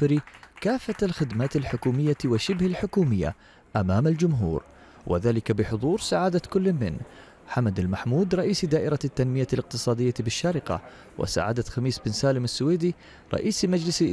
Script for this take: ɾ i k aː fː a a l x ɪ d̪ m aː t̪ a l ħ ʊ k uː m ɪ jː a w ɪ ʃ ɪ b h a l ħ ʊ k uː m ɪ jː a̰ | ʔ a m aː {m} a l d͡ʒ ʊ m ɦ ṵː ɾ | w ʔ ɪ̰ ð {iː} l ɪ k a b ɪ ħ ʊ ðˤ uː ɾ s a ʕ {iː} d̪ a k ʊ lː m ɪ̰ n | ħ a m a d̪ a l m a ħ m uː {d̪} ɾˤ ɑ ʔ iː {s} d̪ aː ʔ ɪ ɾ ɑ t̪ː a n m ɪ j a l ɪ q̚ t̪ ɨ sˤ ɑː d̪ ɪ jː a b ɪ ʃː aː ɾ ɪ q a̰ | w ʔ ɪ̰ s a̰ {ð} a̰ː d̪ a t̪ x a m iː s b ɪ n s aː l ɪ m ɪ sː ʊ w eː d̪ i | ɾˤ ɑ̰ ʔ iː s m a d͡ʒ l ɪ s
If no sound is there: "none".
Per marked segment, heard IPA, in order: m, aː, aː, d̪, s, ʕ

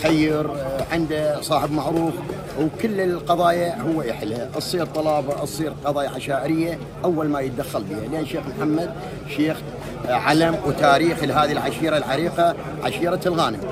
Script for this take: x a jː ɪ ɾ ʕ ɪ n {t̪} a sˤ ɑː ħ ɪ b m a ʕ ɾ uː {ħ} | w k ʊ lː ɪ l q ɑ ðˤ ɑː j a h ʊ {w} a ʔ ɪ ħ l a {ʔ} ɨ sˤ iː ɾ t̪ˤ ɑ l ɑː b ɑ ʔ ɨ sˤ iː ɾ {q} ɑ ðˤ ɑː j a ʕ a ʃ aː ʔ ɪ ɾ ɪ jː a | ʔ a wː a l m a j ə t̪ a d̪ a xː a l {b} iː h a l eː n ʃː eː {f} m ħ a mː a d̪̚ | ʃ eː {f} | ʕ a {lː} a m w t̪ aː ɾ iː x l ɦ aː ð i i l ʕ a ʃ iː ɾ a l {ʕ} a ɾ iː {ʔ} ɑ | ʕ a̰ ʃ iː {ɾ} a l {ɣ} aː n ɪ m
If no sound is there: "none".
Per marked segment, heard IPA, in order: d̪, f, wː, ʔ, q, b, x, x, l, ʕ, q, ɾ, ɣ

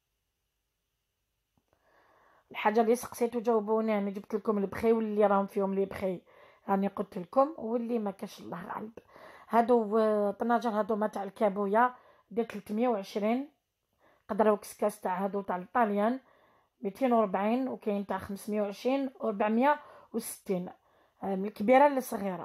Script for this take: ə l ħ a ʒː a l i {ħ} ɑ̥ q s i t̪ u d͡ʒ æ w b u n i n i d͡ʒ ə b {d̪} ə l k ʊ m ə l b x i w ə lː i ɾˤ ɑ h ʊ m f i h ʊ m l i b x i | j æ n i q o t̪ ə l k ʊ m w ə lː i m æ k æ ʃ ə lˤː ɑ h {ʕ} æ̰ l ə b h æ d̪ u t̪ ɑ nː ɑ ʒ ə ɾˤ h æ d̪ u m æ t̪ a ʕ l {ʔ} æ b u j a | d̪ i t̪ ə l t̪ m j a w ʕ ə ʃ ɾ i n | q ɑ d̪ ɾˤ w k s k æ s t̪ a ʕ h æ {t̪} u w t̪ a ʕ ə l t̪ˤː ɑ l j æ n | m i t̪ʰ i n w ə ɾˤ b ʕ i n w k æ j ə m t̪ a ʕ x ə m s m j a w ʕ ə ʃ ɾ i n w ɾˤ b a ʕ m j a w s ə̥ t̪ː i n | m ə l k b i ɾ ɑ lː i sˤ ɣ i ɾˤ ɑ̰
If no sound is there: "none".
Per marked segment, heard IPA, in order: s, t̪, ɣ, k, d̪

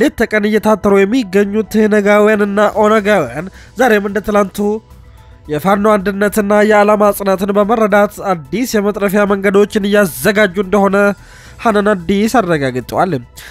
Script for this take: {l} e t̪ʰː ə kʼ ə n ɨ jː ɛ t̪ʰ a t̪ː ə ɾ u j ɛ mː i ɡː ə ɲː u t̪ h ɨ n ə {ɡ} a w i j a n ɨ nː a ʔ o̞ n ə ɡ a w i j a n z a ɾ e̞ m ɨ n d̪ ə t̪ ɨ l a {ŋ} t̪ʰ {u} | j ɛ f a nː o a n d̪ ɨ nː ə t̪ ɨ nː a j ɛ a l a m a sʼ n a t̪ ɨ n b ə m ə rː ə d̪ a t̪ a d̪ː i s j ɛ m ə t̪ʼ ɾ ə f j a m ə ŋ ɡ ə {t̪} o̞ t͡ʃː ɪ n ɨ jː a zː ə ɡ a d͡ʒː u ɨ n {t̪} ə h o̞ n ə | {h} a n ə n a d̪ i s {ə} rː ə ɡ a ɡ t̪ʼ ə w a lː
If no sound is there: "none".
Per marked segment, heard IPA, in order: l, ɡ, n, u, d̪, d̪, h, a

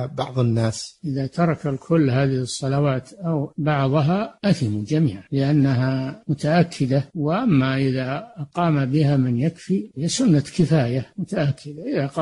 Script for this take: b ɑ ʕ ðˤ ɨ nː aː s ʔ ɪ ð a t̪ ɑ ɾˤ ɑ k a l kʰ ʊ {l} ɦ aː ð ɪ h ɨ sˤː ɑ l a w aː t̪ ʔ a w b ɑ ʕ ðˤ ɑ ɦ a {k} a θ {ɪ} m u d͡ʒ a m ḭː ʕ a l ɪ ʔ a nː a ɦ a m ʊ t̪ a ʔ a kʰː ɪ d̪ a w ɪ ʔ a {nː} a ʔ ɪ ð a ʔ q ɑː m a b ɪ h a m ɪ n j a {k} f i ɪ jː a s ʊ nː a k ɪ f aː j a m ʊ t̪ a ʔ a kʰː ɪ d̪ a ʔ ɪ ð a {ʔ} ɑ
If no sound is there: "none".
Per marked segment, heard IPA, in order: lː, ʔ, ɪ, mː, k, q

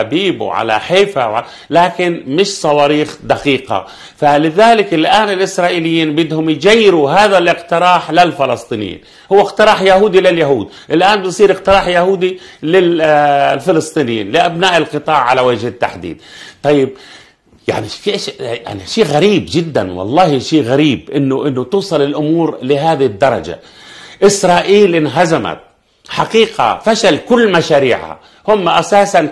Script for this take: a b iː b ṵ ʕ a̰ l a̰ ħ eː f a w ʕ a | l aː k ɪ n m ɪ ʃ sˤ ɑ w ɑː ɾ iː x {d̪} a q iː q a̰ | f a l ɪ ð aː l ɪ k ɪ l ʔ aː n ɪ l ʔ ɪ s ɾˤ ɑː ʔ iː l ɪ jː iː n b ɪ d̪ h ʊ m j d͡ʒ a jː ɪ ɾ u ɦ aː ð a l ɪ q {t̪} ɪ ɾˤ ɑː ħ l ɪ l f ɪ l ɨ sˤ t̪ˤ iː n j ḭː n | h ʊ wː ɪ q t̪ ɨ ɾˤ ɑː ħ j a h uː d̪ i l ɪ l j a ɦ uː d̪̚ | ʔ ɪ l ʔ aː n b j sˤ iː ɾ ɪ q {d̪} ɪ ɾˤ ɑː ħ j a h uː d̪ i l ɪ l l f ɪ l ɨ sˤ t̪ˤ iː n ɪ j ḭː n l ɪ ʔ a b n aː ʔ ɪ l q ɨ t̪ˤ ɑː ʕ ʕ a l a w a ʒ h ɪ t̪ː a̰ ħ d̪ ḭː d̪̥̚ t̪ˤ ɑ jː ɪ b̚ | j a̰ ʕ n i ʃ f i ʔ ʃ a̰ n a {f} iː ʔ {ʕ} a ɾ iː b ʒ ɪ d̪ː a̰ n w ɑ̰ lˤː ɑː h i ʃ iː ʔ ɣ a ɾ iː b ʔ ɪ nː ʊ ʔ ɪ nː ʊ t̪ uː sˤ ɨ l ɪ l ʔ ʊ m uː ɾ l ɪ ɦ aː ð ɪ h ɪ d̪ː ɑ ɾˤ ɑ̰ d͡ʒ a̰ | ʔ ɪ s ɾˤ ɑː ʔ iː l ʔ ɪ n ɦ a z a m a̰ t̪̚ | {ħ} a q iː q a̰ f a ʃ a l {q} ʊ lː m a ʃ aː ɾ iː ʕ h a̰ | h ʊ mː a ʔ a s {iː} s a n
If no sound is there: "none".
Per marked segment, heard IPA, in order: d̪, t̪, t̪, ʃ, ɣ, ħ, k, aː

